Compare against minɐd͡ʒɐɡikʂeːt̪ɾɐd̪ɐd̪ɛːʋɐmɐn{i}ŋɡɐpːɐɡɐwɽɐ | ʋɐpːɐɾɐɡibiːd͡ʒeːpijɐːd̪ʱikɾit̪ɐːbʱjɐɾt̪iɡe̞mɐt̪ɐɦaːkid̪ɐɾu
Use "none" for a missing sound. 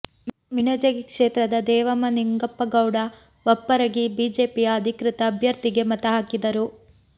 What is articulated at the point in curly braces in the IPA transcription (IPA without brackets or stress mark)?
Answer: i